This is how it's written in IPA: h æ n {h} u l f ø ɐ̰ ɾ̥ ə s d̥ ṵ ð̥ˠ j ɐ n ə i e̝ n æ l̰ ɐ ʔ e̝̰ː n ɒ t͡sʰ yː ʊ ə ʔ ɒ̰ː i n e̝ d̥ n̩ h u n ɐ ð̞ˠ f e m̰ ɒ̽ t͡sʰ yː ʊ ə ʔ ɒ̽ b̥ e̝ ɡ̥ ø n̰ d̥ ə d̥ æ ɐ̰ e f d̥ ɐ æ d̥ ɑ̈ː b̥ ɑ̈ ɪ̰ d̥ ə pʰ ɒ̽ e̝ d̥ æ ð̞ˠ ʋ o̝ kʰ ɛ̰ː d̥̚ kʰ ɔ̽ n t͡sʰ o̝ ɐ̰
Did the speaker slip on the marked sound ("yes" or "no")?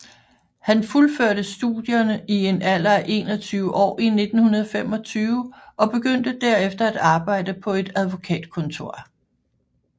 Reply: yes